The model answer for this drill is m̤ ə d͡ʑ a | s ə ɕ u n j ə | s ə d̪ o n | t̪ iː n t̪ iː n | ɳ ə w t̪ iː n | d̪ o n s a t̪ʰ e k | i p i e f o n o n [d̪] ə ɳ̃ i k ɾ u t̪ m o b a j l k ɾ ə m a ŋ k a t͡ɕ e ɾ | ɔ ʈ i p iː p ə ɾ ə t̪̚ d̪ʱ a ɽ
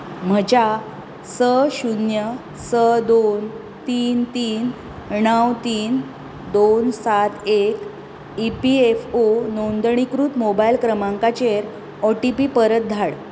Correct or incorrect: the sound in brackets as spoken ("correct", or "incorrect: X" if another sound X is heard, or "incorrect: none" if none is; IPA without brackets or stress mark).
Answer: correct